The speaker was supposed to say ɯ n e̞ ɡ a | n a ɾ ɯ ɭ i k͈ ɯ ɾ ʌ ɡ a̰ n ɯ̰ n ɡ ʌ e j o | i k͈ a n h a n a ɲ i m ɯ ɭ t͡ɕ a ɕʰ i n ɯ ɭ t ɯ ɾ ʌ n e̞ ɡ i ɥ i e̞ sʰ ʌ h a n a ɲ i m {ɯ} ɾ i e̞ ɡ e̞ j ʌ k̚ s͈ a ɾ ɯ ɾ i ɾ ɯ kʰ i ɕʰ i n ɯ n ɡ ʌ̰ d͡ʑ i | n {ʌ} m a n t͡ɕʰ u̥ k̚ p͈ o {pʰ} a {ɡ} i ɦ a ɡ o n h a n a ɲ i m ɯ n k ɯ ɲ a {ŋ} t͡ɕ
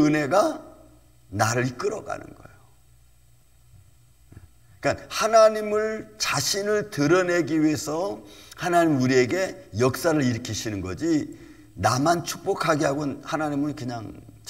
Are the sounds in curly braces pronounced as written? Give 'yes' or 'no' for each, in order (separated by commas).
no, no, no, yes, yes